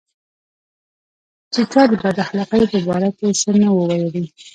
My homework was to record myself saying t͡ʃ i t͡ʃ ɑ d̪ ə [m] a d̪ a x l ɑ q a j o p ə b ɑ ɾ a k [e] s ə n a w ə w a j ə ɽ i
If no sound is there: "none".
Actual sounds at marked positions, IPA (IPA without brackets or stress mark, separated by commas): b, e